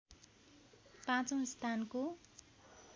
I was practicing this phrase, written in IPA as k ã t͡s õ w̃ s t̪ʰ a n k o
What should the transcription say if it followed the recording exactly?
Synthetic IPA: p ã t͡s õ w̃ s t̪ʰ a n k o